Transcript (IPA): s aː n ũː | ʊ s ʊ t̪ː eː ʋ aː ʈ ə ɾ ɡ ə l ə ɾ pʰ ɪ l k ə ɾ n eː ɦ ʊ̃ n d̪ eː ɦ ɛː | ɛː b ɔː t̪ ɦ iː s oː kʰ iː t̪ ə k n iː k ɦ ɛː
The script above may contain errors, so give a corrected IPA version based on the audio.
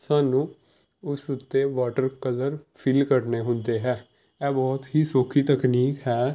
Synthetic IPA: s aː n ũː | ʊ s ʊ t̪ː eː ʋ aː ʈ ə ɾ k ə l ə ɾ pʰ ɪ l k ə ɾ n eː ɦ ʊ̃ n d̪ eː ɦ ɛː | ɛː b ɔː t̪ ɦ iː s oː kʰ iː t̪ ə k n iː k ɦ ɛː